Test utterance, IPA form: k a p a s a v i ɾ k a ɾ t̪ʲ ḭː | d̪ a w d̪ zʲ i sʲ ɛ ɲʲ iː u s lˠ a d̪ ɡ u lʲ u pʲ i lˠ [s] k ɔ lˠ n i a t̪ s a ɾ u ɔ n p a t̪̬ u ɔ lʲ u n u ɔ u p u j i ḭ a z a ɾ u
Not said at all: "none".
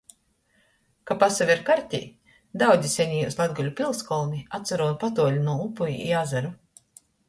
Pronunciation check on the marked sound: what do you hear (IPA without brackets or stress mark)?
s